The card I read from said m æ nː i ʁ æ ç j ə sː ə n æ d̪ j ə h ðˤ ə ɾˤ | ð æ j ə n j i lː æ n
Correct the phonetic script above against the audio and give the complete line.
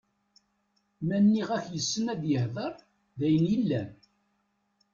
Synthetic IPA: m æ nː i ʁ æ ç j ə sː ə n æ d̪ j ə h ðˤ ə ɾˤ | ð æ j ə n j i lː æ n